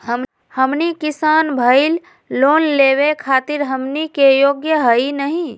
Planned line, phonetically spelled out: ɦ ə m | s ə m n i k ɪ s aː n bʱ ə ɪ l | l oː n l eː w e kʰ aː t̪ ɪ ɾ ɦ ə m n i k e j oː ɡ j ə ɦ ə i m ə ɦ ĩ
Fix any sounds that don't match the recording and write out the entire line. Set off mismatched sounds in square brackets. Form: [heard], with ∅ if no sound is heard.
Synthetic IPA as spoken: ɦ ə m | [h] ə m n i k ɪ s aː n bʱ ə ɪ l | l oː n l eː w e kʰ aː t̪ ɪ ɾ ɦ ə m n i k e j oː ɡ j ə ɦ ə i [n] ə ɦ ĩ